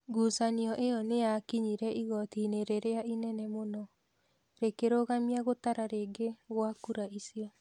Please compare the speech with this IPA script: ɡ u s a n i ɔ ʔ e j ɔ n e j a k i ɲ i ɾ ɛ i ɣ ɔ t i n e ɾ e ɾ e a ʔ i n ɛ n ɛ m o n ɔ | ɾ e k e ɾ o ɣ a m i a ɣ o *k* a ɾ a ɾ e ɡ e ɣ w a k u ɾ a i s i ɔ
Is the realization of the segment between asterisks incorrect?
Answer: yes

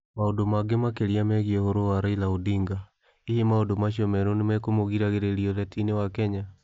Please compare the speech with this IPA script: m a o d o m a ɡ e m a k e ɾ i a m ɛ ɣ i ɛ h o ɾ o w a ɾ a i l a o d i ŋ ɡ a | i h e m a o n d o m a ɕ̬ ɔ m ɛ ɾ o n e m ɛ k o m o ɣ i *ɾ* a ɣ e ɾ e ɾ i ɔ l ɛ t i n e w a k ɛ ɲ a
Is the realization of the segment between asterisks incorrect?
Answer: no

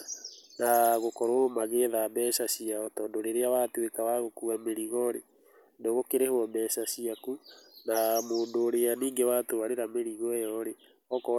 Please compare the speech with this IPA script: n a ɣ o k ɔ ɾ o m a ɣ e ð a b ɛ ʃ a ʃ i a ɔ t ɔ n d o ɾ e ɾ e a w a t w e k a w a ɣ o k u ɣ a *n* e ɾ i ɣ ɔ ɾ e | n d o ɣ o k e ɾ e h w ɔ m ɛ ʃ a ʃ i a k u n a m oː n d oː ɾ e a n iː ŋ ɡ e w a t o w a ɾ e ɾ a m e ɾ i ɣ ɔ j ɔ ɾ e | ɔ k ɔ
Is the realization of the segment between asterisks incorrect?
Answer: yes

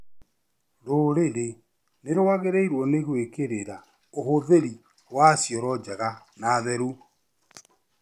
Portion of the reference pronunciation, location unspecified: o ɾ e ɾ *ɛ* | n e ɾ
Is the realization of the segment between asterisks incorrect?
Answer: yes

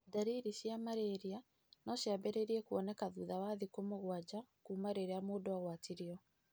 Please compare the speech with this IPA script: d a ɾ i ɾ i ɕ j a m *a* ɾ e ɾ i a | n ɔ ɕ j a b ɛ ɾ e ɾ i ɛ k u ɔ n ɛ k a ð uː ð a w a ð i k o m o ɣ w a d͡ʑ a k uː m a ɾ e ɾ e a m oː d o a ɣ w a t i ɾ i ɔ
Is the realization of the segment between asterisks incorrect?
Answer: no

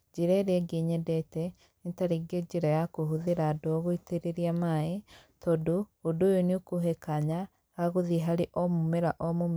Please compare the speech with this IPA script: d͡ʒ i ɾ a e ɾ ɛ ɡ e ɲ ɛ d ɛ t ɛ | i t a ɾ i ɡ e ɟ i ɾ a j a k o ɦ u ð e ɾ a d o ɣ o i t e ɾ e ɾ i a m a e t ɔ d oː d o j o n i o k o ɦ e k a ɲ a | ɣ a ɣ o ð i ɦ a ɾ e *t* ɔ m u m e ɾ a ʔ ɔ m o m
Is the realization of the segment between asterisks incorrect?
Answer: yes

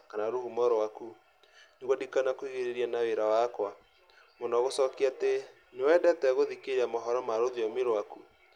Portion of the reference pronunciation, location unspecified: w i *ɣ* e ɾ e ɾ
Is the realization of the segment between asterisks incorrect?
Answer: no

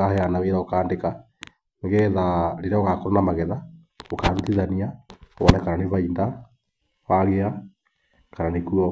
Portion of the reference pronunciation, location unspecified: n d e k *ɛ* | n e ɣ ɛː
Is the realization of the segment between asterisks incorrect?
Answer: yes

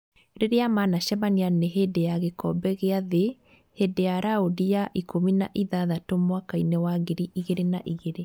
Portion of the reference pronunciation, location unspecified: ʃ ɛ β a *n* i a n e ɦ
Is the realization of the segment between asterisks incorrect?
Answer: no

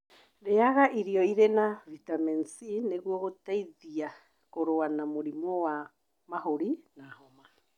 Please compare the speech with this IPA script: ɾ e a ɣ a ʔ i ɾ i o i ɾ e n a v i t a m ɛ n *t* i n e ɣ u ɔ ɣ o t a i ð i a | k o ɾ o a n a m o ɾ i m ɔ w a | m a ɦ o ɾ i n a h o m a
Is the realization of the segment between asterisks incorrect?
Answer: yes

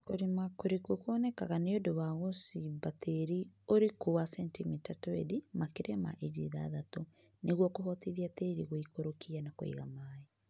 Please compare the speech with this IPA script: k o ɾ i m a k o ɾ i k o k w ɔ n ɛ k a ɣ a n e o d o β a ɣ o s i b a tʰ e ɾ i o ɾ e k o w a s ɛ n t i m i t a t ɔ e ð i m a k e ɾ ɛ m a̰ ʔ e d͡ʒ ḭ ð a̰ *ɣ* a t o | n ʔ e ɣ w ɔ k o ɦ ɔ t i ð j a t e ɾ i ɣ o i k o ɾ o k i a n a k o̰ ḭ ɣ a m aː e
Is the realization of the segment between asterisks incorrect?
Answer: yes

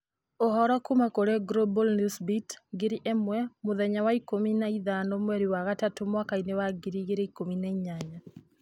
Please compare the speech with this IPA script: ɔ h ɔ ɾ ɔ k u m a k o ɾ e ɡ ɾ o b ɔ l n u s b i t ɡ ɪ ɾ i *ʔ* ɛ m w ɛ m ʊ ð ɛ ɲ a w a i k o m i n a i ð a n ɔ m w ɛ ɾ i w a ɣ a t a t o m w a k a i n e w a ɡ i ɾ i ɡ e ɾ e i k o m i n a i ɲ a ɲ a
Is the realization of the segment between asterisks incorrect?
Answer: no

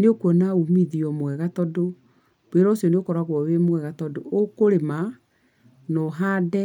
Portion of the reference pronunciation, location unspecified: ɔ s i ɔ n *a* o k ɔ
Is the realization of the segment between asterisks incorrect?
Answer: yes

